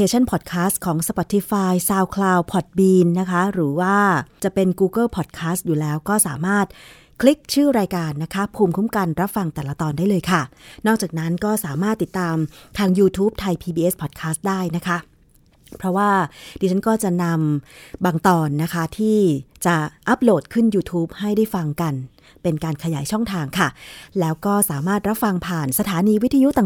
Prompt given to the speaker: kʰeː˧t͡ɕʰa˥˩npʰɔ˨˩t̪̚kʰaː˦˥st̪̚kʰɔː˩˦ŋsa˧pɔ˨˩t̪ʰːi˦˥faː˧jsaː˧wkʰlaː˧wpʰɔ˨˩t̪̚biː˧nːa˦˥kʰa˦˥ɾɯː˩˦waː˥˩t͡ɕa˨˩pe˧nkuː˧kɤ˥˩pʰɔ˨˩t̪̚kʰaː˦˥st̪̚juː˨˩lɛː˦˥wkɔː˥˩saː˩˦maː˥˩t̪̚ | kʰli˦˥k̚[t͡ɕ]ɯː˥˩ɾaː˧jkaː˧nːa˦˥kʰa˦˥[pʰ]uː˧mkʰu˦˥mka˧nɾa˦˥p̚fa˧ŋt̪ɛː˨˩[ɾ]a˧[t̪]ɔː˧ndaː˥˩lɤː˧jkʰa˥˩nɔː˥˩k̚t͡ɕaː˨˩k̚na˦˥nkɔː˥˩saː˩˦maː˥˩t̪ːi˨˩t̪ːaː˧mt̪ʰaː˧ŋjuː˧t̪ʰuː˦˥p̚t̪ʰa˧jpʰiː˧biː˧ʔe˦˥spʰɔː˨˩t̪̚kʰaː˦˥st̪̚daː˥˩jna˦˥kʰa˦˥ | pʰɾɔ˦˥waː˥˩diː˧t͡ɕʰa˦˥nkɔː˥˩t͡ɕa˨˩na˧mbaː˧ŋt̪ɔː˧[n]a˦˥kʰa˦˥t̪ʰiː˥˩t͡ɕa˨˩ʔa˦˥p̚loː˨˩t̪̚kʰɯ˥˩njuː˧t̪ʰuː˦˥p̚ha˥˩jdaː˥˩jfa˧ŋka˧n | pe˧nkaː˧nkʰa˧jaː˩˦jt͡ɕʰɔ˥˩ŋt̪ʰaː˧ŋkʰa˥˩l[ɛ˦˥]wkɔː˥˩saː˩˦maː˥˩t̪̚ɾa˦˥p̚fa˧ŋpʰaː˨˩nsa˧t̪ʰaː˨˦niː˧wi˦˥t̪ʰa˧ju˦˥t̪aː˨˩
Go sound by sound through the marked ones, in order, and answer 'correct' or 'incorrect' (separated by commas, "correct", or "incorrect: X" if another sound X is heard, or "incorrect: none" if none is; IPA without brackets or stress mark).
incorrect: t͡ɕʰ, correct, incorrect: l, correct, incorrect: nː, incorrect: ɛː˦˥